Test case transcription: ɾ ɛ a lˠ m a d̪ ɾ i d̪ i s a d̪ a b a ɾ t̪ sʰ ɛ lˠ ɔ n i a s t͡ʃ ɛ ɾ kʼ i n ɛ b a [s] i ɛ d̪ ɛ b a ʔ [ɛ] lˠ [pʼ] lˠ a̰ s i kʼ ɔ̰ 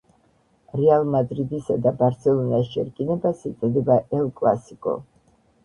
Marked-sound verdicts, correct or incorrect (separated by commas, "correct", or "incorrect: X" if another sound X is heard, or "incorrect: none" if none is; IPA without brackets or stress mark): correct, correct, incorrect: kʼ